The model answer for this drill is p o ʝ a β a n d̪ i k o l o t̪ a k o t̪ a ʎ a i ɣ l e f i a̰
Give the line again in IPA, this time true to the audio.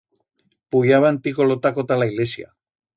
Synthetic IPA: p u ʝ a β a n t̪ i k o l o t̪ a k o t̪ a l a i ɣ l e s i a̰